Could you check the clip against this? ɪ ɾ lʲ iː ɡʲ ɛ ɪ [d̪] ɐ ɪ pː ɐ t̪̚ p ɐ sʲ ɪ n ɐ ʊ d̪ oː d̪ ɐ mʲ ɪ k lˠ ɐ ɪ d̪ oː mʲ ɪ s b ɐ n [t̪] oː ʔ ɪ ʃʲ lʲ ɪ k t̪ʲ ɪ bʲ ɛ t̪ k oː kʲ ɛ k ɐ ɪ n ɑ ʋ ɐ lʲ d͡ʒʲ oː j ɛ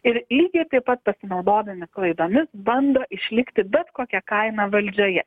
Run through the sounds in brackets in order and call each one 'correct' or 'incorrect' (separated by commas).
incorrect, incorrect